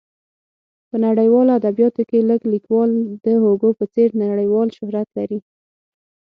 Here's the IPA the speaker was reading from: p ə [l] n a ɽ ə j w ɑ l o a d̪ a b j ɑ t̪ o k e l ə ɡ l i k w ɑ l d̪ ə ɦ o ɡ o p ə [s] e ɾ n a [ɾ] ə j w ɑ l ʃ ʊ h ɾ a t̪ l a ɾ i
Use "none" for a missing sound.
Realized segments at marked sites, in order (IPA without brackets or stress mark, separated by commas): none, t͡s, ɽ